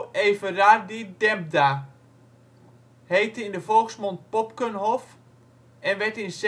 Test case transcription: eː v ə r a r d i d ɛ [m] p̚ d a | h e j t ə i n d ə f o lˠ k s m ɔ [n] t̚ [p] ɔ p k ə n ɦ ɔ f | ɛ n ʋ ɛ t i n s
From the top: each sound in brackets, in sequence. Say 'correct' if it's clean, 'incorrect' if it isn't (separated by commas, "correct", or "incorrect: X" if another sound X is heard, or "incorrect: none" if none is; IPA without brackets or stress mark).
correct, correct, correct